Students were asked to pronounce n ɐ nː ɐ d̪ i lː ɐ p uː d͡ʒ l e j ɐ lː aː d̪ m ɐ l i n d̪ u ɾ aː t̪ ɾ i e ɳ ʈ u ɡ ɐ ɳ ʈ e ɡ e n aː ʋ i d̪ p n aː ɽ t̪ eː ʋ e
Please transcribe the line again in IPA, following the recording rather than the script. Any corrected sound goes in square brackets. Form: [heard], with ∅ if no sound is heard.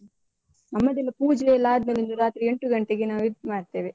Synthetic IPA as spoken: n ɐ [mː] ɐ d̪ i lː ɐ p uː d͡ʒ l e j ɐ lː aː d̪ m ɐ l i n d̪ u ɾ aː t̪ ɾ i e ɳ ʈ u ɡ ɐ ɳ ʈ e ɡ e n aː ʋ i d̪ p [m] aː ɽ t̪ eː ʋ e